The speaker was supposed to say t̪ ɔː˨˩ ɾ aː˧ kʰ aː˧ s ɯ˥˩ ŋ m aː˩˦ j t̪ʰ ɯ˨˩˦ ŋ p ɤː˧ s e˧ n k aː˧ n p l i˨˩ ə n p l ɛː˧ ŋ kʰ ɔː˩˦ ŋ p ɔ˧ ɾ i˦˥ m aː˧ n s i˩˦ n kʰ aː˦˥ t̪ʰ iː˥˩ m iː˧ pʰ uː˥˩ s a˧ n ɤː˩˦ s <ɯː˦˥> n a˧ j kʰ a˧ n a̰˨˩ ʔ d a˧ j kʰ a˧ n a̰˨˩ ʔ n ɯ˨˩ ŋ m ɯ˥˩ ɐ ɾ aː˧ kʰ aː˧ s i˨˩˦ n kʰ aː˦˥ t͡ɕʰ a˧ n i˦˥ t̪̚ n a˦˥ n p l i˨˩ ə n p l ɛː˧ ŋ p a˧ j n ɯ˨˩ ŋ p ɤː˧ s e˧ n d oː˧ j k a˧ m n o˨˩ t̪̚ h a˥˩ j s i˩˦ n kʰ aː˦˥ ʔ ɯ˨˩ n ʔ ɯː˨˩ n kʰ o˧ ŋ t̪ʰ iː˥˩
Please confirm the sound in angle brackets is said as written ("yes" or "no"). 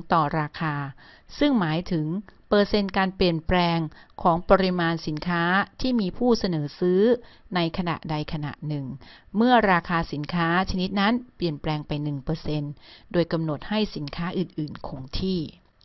yes